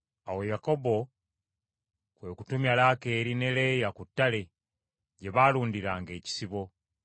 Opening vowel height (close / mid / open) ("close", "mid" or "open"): open